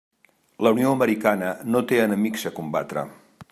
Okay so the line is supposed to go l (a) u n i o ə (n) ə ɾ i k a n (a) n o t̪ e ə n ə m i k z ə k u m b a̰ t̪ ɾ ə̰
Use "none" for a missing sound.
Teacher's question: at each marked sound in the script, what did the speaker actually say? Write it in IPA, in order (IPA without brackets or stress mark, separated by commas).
ə, m, ə